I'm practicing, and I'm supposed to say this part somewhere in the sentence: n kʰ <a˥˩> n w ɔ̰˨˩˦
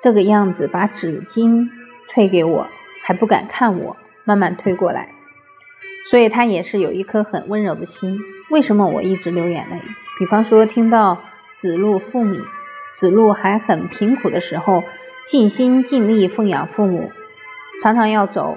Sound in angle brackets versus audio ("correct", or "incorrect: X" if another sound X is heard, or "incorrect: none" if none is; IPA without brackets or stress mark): correct